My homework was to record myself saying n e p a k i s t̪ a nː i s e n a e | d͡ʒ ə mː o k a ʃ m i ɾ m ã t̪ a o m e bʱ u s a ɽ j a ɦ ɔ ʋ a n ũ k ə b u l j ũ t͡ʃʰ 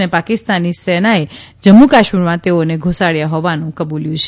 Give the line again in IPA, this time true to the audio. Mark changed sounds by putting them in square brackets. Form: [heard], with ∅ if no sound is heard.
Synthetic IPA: n e p a k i s t̪ a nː i s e n a e | d͡ʒ ə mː [u] k a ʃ m i ɾ m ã t̪ [e] o [n] e [ɡʱ] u s a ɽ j a ɦ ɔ ʋ a n ũ k ə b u l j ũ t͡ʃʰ